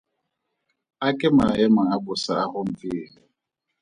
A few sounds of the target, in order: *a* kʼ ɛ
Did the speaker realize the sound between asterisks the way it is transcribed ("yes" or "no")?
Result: yes